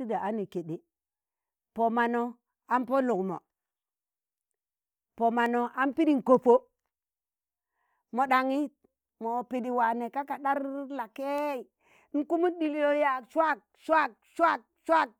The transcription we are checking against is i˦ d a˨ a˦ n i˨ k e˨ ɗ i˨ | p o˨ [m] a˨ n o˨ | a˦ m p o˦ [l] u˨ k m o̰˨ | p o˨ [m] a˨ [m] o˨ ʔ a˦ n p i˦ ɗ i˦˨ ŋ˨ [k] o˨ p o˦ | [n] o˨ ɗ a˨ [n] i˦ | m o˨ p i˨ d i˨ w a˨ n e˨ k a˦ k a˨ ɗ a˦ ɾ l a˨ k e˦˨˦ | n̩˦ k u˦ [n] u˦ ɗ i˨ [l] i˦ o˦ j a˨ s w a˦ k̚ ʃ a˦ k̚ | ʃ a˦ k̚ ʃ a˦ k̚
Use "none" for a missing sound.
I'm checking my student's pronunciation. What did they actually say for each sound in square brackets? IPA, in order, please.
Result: m, l, m, n, k, m, ŋ, m, l

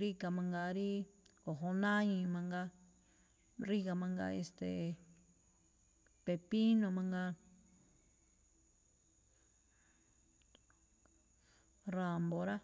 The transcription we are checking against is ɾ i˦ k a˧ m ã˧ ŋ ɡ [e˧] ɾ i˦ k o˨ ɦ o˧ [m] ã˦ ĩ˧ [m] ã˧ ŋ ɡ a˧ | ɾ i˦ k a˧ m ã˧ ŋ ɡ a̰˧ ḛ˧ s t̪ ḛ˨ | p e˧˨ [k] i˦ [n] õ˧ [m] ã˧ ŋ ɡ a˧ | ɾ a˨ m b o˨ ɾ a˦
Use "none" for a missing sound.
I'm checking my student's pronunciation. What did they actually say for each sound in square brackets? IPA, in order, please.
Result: a˧, n, m, p, n, m

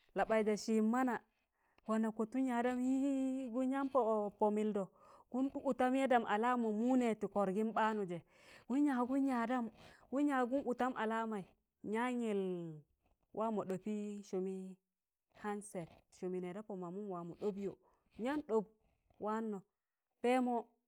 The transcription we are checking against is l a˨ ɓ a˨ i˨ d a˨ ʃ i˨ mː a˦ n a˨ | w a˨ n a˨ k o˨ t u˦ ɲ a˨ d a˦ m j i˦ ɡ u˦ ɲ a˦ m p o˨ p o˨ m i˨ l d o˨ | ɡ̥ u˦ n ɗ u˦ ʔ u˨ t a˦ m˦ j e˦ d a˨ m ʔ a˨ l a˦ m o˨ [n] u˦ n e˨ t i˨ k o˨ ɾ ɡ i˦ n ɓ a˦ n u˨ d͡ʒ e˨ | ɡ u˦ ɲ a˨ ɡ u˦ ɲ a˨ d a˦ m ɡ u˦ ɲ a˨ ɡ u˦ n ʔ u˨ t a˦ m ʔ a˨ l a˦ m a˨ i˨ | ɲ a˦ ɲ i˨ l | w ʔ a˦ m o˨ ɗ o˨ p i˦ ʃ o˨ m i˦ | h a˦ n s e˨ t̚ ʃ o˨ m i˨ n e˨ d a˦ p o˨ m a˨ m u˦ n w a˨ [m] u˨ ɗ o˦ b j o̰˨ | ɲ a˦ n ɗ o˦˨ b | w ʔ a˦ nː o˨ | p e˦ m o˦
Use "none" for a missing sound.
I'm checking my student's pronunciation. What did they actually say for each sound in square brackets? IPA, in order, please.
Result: m, m

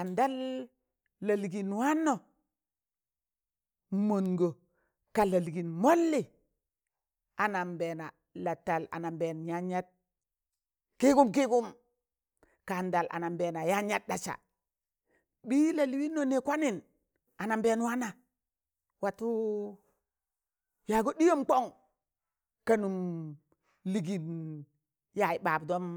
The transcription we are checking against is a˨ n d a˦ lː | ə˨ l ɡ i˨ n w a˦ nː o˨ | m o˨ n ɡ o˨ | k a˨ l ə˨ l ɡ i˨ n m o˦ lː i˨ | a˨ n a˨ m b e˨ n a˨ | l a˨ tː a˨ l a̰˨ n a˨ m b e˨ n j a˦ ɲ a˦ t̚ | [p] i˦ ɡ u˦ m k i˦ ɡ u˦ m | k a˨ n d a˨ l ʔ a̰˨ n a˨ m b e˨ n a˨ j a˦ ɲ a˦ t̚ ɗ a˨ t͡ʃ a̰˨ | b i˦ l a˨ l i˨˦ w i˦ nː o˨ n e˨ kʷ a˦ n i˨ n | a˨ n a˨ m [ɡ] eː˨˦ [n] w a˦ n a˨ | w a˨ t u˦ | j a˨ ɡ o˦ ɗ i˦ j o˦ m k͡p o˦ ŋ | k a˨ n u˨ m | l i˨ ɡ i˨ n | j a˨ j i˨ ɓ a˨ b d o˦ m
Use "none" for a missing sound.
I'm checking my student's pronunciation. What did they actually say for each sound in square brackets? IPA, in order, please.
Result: k, b, n

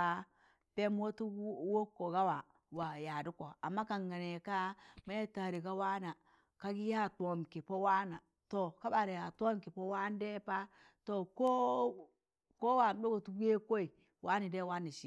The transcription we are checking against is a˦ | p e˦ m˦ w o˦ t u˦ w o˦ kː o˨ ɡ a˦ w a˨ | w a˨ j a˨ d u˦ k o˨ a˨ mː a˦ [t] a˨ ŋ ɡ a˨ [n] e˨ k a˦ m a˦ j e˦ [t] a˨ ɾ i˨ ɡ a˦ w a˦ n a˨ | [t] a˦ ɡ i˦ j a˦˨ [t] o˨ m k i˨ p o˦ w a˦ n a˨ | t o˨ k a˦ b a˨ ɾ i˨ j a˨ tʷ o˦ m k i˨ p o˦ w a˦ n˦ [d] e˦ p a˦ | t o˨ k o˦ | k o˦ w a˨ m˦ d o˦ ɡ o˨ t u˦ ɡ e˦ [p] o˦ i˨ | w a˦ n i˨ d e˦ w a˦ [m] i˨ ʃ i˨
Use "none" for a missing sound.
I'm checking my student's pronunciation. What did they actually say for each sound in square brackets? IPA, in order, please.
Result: k, n, t, k, t, d, k, n

